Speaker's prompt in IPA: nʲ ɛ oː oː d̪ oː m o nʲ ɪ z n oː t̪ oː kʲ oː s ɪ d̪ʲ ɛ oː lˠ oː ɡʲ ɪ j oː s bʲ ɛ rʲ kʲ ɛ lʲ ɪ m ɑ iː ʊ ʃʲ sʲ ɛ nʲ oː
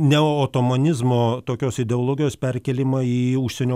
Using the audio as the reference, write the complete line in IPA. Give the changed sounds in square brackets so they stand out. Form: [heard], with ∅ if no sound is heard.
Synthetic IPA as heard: nʲ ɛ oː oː [t̪] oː m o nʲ ɪ z [m] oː t̪ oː kʲ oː s ɪ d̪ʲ ɛ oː lˠ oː ɡʲ ɪ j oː s [pʲ] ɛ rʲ kʲ ɛ lʲ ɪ m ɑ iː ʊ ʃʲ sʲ ɛ nʲ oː